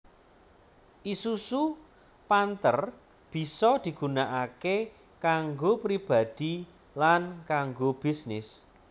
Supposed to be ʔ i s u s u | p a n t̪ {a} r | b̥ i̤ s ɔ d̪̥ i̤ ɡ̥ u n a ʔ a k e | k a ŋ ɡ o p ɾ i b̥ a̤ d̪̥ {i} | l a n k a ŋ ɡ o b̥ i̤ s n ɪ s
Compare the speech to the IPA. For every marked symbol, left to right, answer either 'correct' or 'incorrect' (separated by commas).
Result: incorrect, correct